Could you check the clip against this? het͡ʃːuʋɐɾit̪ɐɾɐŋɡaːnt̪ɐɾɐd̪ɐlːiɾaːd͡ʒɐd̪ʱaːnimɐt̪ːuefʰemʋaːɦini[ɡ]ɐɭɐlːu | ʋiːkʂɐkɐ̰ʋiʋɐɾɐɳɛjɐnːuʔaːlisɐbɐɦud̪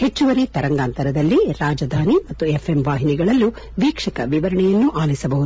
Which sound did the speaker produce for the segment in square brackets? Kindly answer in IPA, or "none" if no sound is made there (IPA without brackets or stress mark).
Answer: ɡ